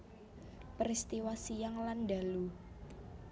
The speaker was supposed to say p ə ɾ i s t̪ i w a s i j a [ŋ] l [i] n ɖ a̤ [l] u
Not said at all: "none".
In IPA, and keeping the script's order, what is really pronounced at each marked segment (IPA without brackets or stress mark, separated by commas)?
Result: ŋ, a, l